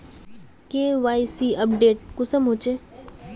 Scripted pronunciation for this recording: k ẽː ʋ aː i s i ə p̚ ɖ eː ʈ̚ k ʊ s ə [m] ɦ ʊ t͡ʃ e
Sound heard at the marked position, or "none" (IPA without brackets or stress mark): m